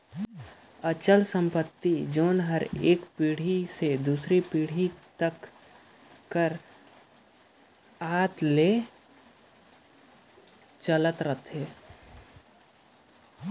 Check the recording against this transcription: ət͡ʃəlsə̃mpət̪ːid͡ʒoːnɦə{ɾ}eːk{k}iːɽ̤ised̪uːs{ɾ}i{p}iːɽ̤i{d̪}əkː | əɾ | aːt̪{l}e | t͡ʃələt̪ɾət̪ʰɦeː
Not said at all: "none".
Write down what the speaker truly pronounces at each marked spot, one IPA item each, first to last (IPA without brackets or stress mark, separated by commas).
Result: ɾ, p, ɾ, p, t̪, l